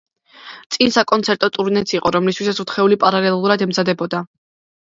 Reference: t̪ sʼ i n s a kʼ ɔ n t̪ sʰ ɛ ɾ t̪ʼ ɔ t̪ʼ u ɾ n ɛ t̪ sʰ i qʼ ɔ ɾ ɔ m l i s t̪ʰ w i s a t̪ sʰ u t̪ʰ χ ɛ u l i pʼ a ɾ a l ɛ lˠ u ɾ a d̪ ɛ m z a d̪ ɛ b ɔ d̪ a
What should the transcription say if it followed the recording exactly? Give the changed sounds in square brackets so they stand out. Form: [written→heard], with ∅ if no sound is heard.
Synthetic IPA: t̪ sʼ i n s a kʼ ɔ n t̪ sʰ ɛ ɾ t̪ʼ ɔ t̪ʼ u ɾ n ɛ t̪ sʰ i qʼ ɔ ɾ ɔ m l i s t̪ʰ w i s a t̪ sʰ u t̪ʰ χ ɛ u l i pʼ a ɾ a l ɛ lˠ u ɾ a d̪ ɛ m z a d̪ ɛ b ɔ d̪ a